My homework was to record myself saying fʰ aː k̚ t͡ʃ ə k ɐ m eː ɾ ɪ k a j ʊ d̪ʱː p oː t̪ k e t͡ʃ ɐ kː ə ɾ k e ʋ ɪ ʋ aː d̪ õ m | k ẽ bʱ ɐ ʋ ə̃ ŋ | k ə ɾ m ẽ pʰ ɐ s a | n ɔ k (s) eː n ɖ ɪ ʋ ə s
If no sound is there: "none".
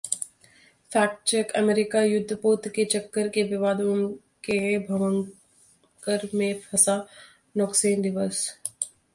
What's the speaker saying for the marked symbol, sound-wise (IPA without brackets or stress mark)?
s